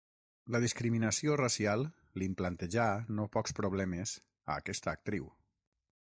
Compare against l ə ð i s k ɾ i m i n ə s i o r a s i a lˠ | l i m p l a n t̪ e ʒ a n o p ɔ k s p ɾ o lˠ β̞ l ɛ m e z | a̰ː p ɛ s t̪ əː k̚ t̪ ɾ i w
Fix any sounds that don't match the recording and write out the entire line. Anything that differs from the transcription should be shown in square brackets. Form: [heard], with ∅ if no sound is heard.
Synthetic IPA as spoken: l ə ð i s k ɾ i m i n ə s i o r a s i a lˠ | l i m p l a n t̪ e ʒ a n o p ɔ k s p ɾ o [∅] β̞ l ɛ m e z | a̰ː [k] ɛ s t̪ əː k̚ t̪ ɾ i w